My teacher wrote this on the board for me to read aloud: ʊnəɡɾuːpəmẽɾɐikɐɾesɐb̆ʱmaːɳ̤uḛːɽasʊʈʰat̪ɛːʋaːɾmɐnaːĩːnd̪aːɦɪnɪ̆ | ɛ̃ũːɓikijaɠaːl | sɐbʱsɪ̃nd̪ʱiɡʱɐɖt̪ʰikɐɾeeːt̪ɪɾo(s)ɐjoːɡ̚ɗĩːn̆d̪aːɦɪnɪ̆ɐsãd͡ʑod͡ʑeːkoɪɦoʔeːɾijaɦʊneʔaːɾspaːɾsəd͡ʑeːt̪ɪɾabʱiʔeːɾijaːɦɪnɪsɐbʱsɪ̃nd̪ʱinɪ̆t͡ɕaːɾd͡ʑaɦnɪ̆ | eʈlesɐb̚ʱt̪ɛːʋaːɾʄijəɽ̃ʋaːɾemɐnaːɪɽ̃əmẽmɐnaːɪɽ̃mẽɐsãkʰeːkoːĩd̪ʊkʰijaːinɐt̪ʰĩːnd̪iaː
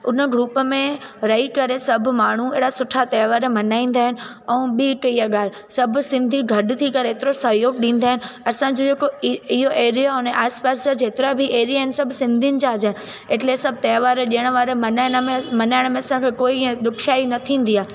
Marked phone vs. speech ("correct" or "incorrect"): correct